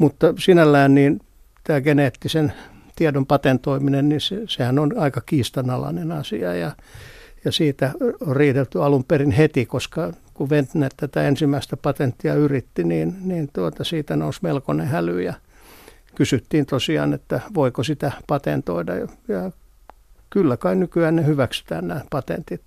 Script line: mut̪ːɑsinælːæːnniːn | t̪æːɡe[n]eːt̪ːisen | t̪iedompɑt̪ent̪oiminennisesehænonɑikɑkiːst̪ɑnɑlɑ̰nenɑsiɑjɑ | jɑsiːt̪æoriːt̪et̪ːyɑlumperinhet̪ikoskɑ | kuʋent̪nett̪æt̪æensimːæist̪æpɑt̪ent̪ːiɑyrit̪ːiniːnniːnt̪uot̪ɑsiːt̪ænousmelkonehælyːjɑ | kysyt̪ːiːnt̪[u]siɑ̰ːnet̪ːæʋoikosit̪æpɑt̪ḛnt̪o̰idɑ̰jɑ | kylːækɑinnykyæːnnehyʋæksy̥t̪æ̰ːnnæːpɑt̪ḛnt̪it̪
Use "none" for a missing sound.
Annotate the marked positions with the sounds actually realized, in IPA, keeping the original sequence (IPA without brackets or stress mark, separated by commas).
n, o